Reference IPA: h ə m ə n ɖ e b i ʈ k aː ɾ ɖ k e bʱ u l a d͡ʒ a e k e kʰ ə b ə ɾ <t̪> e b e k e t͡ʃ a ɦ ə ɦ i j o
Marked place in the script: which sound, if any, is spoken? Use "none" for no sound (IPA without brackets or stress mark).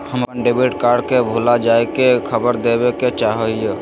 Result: d̪